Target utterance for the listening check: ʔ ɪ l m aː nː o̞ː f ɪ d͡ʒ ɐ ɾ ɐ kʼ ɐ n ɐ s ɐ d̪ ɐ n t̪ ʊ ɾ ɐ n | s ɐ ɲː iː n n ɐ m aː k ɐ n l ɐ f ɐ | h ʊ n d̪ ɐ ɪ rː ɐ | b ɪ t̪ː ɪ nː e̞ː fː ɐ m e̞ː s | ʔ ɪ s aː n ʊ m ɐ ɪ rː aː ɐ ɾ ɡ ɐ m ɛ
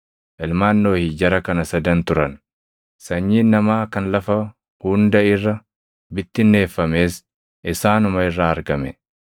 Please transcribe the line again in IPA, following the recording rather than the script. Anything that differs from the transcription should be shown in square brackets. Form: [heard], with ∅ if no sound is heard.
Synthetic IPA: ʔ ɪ l m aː nː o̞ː [h] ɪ d͡ʒ ɐ ɾ ɐ [k] ɐ n ɐ s ɐ d̪ ɐ n t̪ ʊ ɾ ɐ n | s ɐ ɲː iː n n ɐ m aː k ɐ n l ɐ f ɐ | h ʊ n d̪ ɐ ɪ rː ɐ | b ɪ t̪ː ɪ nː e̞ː fː ɐ m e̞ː s | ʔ ɪ s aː n ʊ m ɐ ɪ rː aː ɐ ɾ ɡ ɐ m ɛ

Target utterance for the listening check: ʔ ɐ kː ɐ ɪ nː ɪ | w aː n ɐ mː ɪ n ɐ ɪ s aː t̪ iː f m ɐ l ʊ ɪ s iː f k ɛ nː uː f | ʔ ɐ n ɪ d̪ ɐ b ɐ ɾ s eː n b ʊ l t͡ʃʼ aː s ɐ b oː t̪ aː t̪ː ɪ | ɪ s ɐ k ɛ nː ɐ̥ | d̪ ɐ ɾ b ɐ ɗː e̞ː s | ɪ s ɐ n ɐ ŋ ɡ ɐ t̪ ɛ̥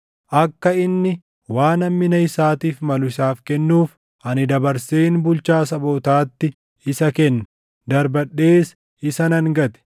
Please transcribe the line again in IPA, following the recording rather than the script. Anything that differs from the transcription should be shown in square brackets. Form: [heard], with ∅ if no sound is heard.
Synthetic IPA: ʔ ɐ kː ɐ ɪ nː ɪ | w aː n ɐ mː ɪ n ɐ ɪ s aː t̪ iː f m ɐ l ʊ ɪ s [aː] f k ɛ nː uː f | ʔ ɐ n ɪ d̪ ɐ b ɐ ɾ s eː n b ʊ l [t͡ʃ] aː s ɐ b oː t̪ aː t̪ː ɪ | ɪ s ɐ k ɛ nː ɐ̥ | d̪ ɐ ɾ b ɐ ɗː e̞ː s | ɪ s ɐ n ɐ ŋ ɡ ɐ t̪ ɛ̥

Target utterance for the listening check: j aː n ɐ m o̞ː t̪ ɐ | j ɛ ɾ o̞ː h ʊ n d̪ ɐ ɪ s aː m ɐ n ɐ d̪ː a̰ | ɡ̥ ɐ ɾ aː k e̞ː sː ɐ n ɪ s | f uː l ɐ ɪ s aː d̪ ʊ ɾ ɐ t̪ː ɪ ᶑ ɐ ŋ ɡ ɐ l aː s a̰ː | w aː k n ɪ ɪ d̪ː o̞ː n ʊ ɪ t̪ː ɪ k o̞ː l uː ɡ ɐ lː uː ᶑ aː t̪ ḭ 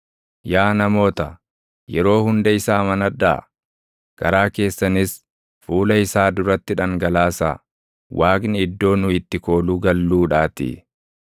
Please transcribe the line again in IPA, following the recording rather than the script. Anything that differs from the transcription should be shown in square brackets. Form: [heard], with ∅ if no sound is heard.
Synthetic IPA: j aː n ɐ m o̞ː t̪ ɐ | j ɛ ɾ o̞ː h ʊ n d̪ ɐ ɪ s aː m ɐ n ɐ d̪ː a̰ | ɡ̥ ɐ ɾ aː k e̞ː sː ɐ n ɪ s | f uː l ɐ ɪ s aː d̪ ʊ ɾ ɐ t̪ː ɪ ᶑ ɐ ŋ ɡ ɐ l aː s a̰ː | w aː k n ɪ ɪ d̪ː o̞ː n ʊ ɪ t̪ː ɪ k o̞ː l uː ɡ ɐ lː uː ᶑ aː t̪ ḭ

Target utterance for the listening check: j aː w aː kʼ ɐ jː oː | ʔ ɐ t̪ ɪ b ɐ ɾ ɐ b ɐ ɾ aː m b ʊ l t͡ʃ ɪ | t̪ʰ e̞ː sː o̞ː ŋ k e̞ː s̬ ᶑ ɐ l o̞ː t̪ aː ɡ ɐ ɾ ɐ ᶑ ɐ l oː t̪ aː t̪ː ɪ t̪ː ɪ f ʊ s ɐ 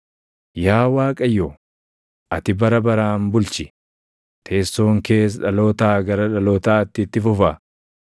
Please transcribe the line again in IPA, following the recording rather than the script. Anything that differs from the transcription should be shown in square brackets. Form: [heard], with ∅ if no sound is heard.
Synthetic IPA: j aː w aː kʼ ɐ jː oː | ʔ ɐ t̪ ɪ b ɐ ɾ ɐ b ɐ ɾ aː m b ʊ l t͡ʃ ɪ | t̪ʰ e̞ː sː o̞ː ŋ k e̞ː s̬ ᶑ ɐ l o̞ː t̪ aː ɡ ɐ ɾ ɐ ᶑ ɐ l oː t̪ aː t̪ː ɪ t̪ː ɪ f ʊ [f] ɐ

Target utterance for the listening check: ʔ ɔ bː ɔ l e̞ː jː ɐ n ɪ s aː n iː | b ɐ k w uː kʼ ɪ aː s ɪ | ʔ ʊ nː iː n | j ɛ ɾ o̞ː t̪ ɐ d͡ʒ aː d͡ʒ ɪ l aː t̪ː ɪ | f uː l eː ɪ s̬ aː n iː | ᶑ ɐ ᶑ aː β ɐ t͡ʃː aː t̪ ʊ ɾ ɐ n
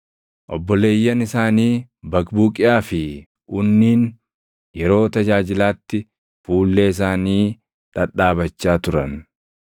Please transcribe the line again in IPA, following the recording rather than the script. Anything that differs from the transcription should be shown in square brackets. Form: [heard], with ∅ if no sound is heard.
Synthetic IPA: ʔ ɔ bː ɔ l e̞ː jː ɐ n ɪ s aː n iː | b ɐ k [b] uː kʼ ɪ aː [f] ɪ | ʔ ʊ nː iː n | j ɛ ɾ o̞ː t̪ ɐ d͡ʒ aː d͡ʒ ɪ l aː t̪ː ɪ | f uː [lː] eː ɪ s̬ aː n iː | ᶑ ɐ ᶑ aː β ɐ t͡ʃː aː t̪ ʊ ɾ ɐ n

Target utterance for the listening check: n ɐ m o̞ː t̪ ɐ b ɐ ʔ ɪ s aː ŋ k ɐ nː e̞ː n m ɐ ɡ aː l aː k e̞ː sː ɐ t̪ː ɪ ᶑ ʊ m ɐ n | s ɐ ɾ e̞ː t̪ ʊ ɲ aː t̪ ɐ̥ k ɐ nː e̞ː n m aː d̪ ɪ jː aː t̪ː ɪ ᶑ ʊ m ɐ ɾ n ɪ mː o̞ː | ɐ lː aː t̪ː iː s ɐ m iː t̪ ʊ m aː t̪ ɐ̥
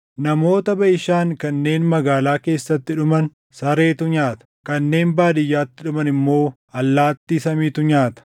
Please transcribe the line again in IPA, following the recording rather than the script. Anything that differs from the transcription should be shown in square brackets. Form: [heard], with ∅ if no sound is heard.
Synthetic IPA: n ɐ m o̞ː t̪ ɐ b ɐ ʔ ɪ [ʃ] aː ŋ k ɐ nː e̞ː n m ɐ ɡ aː l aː k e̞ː sː ɐ t̪ː ɪ ᶑ ʊ m ɐ n | s ɐ ɾ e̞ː t̪ ʊ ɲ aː t̪ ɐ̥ k ɐ nː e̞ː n [b] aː d̪ ɪ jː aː t̪ː ɪ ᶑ ʊ m ɐ [∅] n ɪ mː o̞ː | ɐ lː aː t̪ː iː s ɐ m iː t̪ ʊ [ɲ] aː t̪ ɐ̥

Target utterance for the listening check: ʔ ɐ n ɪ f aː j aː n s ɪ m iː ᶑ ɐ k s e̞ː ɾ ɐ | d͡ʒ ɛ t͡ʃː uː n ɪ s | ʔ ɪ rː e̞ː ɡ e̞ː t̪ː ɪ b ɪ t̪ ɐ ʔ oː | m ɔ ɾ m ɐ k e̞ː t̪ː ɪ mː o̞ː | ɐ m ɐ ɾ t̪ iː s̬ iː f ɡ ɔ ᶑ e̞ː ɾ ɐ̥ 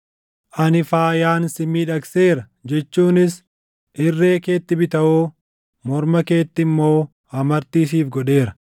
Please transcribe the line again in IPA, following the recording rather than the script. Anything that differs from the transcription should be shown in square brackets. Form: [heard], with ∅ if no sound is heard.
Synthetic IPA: ʔ ɐ n ɪ f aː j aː n s ɪ m iː ᶑ ɐ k s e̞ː ɾ ɐ | d͡ʒ ɛ t͡ʃː uː n ɪ s | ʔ ɪ rː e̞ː [k] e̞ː t̪ː ɪ b ɪ t̪ ɐ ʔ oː | m ɔ ɾ m ɐ k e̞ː t̪ː ɪ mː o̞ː | ɐ m ɐ ɾ t̪ iː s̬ iː f ɡ ɔ ᶑ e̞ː ɾ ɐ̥

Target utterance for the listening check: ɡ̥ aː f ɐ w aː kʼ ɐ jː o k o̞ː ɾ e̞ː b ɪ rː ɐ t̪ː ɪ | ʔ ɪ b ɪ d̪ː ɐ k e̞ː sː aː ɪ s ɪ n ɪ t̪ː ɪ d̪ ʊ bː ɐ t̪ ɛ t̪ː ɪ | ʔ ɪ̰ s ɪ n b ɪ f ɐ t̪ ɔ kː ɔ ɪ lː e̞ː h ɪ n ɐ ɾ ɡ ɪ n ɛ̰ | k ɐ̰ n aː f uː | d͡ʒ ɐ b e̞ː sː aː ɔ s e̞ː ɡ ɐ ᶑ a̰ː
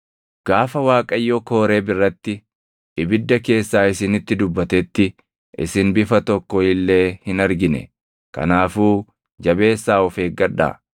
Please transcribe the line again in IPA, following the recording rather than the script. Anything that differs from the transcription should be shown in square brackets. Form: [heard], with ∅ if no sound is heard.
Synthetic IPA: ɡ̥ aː f ɐ w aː kʼ ɐ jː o k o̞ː ɾ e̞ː b ɪ rː ɐ t̪ː ɪ | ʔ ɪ b ɪ d̪ː ɐ k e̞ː sː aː ɪ s ɪ n ɪ t̪ː ɪ d̪ ʊ bː ɐ t̪ ɛ t̪ː ɪ | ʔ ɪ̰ s ɪ n b ɪ f ɐ t̪ ɔ kː ɔ ɪ lː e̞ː h ɪ n ɐ ɾ ɡ ɪ n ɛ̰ | k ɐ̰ n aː f uː | d͡ʒ ɐ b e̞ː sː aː ɔ [f] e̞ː ɡ ɐ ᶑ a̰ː

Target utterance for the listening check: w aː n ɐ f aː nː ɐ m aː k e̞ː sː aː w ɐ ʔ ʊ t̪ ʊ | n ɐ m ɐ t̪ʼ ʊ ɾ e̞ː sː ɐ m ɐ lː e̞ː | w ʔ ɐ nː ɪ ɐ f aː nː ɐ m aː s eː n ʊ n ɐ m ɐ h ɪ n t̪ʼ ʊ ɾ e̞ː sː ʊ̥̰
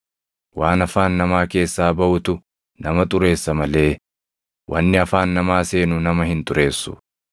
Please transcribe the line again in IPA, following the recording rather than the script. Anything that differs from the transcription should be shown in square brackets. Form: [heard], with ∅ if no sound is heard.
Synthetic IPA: w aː n ɐ f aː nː ɐ m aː k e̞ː sː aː [b] ɐ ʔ ʊ t̪ ʊ | n ɐ m ɐ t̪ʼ ʊ ɾ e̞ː sː ɐ m ɐ [l] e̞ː | w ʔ ɐ nː ɪ ɐ f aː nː ɐ m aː s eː n ʊ n ɐ m ɐ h ɪ n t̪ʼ ʊ ɾ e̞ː sː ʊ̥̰

